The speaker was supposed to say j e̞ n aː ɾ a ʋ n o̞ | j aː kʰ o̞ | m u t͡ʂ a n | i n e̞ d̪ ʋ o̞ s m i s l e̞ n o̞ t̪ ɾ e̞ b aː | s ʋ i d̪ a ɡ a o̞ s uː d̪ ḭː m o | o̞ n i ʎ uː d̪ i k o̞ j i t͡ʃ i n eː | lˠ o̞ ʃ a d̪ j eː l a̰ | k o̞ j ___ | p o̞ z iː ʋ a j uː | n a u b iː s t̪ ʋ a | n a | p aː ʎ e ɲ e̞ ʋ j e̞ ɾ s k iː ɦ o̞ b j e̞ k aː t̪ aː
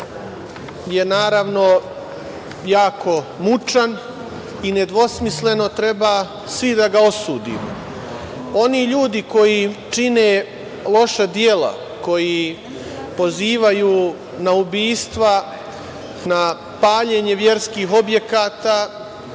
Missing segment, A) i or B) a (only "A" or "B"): A